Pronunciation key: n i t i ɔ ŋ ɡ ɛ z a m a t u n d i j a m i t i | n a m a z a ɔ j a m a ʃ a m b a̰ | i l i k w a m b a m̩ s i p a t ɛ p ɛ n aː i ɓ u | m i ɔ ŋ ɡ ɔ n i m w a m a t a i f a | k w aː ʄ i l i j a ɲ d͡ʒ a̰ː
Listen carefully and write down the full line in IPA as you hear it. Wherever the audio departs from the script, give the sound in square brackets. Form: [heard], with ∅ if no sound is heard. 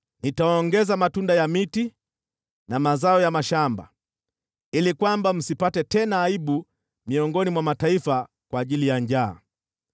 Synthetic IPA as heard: n i t [a] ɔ ŋ ɡ ɛ z a m a t u n d [a] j a m i t i | n a m a z a ɔ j a m a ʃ a m b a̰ | i l i k w a m b a m̩ s i p a t ɛ [t] ɛ n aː i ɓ u | m i ɔ ŋ ɡ ɔ n i m w a m a t a i f a | k w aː ʄ i l i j a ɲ d͡ʒ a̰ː